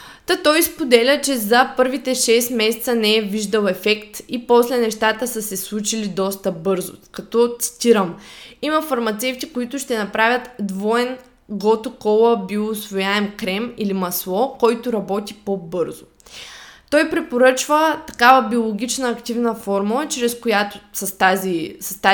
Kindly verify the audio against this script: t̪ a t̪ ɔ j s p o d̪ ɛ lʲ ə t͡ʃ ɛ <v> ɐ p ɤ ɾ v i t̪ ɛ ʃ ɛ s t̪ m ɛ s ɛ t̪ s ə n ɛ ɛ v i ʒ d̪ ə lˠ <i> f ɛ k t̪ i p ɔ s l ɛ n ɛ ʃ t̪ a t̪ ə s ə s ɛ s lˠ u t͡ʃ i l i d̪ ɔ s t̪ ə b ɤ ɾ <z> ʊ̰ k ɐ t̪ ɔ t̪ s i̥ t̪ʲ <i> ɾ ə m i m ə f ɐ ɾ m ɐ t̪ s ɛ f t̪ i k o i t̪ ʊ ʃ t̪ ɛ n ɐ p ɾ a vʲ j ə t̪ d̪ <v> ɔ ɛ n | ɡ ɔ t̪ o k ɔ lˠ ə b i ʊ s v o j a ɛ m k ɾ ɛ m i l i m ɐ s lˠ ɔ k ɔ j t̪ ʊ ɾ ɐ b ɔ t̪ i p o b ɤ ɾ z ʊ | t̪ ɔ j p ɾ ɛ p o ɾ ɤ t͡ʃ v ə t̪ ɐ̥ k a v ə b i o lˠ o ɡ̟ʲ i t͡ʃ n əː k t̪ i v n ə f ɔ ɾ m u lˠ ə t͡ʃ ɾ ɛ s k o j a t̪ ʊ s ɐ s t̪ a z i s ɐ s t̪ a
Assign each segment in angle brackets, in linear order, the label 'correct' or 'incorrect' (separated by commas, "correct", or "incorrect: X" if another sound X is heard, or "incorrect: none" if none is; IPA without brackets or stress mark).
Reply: incorrect: z, incorrect: ɛ, correct, correct, correct